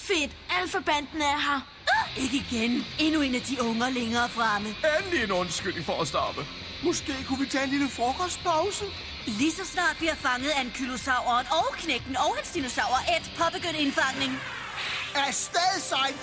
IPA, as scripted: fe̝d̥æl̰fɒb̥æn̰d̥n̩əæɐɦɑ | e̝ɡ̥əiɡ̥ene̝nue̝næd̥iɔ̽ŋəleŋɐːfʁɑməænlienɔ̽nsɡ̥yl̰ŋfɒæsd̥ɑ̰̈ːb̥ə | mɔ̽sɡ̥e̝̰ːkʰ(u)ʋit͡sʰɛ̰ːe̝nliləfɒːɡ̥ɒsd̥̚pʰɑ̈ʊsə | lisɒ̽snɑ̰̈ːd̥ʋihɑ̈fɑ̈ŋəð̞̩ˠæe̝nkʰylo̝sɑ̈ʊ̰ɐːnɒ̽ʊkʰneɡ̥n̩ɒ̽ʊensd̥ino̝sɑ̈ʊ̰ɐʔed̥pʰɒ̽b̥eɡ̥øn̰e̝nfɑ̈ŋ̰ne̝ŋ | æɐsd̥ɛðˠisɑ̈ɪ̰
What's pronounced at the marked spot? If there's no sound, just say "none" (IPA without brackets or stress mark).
u